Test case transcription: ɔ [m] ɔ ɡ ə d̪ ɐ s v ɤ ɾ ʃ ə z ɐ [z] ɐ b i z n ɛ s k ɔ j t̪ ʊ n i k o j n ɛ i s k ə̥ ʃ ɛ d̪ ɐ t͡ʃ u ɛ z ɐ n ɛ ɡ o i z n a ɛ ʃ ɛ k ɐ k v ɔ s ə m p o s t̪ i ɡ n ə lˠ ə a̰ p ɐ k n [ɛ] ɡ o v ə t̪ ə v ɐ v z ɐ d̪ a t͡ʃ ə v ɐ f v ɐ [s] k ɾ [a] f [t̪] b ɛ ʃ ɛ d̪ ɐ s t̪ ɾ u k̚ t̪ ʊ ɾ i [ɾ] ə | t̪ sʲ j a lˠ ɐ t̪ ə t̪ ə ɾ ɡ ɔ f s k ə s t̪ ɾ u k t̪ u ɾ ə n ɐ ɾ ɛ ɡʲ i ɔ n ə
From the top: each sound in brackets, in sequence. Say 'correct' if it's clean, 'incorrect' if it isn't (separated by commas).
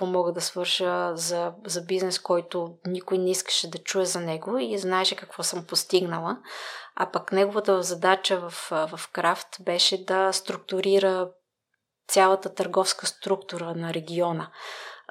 correct, correct, correct, incorrect, correct, correct, correct